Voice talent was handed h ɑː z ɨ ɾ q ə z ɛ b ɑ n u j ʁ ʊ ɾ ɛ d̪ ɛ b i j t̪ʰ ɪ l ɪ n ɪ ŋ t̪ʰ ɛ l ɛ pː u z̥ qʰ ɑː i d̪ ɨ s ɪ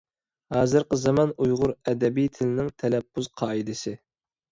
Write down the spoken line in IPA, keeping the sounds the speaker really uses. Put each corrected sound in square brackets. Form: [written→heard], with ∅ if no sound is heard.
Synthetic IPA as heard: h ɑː z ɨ ɾ q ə z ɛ [b→m] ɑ n u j ʁ ʊ ɾ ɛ d̪ ɛ b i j t̪ʰ ɪ l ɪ n ɪ ŋ t̪ʰ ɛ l ɛ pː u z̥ qʰ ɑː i d̪ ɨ s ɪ